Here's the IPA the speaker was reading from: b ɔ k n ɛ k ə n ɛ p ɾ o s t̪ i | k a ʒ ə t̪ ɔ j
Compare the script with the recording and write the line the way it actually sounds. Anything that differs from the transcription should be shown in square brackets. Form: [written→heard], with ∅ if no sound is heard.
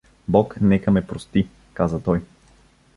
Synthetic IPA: b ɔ k n ɛ k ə [n→m] ɛ p ɾ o s t̪ i | k a [ʒ→z] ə t̪ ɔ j